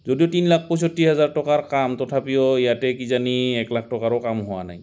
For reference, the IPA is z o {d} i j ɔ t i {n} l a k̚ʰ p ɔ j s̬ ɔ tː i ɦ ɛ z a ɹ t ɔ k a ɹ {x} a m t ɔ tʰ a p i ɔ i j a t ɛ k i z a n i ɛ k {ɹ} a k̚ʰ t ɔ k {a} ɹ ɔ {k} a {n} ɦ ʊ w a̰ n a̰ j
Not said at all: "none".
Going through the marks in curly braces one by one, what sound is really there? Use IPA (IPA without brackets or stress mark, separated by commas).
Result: d, n, k, l, a, k, m